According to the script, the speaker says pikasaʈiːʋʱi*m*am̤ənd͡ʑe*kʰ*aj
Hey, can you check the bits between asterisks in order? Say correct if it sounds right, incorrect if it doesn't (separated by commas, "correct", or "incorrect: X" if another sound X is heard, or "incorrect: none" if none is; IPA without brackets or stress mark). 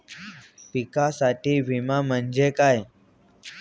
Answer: correct, incorrect: k